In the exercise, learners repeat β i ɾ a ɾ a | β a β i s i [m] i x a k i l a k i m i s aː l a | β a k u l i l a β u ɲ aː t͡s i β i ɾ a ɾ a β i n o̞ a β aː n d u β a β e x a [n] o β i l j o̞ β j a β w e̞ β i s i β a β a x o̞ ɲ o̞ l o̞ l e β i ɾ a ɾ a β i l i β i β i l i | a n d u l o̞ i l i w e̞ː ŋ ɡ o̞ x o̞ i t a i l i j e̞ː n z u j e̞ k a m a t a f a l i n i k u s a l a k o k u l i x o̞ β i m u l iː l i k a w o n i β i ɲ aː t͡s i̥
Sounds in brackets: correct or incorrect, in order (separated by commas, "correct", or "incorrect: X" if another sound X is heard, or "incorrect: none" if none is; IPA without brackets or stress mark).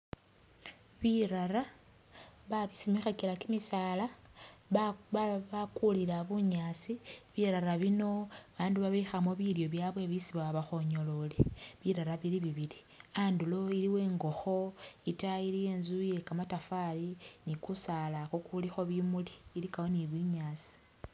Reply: correct, incorrect: m